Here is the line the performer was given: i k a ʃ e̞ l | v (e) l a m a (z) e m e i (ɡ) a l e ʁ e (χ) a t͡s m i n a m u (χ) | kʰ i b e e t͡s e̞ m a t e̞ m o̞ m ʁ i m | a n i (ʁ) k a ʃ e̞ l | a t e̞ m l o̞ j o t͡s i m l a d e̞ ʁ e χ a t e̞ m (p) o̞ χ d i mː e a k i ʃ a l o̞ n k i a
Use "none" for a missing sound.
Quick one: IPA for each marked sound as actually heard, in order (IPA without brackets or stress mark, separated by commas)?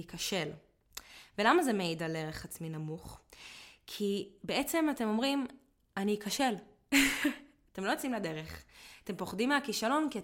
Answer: e, z, d, χ, χ, none, p